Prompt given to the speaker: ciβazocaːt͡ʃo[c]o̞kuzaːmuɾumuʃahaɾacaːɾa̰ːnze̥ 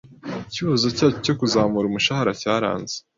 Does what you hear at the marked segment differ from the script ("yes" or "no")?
no